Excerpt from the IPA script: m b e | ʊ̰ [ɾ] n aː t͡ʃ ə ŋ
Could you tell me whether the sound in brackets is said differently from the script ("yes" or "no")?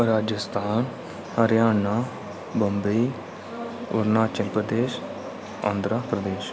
no